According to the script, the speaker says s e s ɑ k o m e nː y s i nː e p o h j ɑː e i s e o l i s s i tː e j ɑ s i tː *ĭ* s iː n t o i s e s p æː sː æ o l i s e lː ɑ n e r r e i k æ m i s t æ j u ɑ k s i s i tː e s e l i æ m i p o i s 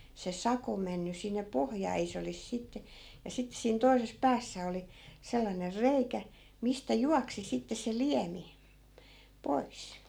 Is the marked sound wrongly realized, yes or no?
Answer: yes